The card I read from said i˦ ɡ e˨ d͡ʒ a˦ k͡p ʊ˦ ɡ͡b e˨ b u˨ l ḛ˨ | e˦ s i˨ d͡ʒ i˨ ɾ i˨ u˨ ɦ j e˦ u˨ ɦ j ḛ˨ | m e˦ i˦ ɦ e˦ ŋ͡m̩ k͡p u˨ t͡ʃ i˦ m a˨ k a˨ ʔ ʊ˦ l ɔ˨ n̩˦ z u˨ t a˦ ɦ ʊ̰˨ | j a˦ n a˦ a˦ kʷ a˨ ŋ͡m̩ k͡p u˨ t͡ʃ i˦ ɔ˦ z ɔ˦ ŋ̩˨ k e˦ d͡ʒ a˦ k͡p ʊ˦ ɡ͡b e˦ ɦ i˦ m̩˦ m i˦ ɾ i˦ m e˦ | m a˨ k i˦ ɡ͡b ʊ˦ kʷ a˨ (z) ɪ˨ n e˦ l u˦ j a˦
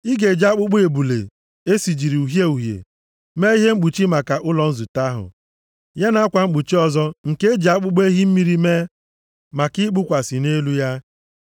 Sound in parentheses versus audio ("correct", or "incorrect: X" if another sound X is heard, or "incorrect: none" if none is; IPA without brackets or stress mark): incorrect: s